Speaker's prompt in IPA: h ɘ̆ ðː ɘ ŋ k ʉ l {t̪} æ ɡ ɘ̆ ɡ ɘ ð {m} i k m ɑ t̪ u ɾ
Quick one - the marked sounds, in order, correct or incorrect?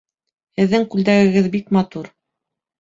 incorrect, incorrect

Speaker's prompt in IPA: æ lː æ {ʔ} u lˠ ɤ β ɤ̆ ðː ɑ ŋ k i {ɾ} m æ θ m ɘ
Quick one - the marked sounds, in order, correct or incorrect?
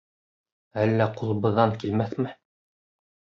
incorrect, incorrect

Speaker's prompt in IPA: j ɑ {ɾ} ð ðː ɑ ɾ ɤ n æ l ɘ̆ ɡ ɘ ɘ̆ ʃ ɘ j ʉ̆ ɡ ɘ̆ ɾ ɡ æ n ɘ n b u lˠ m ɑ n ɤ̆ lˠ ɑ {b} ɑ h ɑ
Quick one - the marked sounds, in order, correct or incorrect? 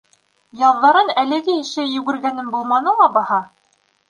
incorrect, correct

